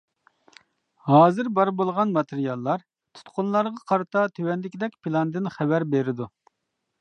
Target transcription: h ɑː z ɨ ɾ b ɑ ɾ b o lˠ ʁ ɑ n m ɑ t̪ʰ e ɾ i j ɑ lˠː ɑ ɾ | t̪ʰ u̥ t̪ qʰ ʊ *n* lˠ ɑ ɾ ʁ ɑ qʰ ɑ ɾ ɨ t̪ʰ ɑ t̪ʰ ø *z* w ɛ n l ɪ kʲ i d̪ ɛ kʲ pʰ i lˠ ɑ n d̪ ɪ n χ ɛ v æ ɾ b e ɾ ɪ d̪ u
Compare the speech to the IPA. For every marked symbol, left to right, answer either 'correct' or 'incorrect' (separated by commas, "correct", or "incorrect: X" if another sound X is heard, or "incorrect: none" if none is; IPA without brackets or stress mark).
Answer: correct, incorrect: none